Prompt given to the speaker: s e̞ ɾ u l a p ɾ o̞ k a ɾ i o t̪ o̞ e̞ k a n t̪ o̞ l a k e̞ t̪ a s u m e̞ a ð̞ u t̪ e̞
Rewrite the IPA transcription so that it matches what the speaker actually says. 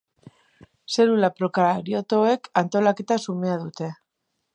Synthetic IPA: s e̞ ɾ u l a p ɾ o̞ k a ɾ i o t̪ o̞ e̞ k a n t̪ o̞ l a k e̞ t̪ a s u m e̞ a ð̞ u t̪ e̞